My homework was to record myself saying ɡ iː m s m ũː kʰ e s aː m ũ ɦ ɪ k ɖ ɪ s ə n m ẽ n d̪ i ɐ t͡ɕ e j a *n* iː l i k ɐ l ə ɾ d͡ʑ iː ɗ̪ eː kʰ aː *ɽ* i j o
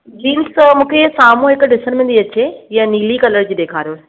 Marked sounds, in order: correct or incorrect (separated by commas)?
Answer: correct, incorrect